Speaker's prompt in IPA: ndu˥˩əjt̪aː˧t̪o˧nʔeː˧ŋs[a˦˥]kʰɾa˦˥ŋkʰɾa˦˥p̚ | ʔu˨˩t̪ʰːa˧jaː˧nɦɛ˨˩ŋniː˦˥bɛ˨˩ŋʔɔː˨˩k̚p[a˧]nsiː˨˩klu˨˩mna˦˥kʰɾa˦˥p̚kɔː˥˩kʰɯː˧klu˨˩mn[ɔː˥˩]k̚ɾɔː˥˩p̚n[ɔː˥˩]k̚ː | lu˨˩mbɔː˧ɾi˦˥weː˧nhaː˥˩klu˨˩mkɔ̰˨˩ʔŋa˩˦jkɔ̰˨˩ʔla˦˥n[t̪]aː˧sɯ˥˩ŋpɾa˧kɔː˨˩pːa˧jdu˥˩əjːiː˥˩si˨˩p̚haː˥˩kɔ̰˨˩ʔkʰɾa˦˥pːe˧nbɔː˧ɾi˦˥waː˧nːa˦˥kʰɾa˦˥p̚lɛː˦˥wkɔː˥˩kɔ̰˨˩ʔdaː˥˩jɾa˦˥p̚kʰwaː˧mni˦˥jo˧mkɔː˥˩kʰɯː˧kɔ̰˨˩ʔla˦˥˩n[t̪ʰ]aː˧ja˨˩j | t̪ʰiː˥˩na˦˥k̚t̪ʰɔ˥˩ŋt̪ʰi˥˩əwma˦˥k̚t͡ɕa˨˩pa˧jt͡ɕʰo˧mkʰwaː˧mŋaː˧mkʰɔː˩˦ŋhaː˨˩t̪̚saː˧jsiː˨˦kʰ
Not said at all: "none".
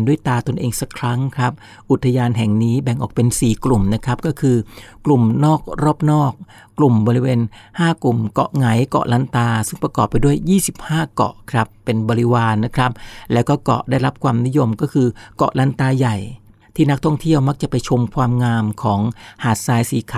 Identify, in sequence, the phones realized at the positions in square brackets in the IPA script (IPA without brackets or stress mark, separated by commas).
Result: a˦˥, e˧, ɔː˥˩, ɔː˥˩, t̪, t̪